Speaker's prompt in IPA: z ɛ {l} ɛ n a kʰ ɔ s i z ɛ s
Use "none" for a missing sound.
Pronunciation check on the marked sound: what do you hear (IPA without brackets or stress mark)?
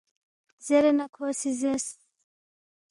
ɾ